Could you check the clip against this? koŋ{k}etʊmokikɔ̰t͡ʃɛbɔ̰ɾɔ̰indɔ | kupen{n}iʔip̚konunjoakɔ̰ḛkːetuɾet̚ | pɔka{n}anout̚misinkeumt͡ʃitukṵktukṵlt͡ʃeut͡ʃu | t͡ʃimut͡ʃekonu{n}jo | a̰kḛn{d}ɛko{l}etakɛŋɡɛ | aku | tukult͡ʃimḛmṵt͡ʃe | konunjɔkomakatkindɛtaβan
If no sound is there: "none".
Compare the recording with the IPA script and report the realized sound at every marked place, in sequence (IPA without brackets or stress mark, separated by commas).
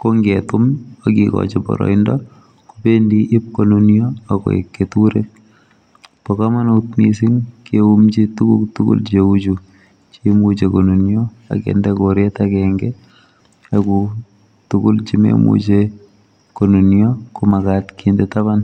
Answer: ɡ, d, m, n, d, ɾ